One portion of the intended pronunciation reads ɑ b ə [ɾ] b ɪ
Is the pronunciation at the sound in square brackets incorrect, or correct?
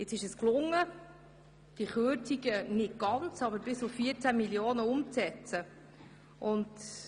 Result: correct